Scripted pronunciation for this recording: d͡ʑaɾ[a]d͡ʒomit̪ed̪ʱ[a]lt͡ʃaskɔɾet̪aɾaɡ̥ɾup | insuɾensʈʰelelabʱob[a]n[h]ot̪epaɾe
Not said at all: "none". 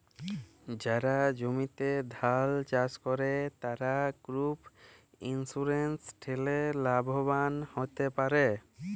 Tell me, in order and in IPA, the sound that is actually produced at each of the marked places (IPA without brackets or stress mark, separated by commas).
a, a, a, h